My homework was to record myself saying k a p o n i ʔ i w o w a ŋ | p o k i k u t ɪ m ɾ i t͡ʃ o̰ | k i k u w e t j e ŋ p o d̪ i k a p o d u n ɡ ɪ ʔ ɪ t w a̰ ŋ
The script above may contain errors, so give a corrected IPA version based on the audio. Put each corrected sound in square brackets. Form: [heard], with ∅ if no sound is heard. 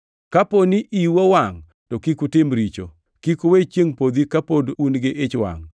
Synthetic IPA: k a p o n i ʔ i w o w a ŋ | [t] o k i k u t ɪ m ɾ i t͡ʃ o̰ | k i k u w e [t͡ʃ] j e ŋ p o d̪ i k a p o d u n ɡ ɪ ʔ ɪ [t͡ʃ] w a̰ ŋ